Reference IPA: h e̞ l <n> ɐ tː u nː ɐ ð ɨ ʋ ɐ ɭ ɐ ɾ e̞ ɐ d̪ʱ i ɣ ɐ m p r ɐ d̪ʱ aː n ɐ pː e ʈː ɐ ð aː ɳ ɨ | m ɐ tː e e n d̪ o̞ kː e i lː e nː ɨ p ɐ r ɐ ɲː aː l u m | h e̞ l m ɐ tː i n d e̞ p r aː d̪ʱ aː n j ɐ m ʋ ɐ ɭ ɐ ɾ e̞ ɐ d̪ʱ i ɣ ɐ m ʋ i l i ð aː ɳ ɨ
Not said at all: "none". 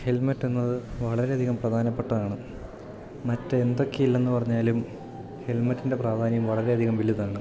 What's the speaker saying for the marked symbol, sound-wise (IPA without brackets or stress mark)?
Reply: m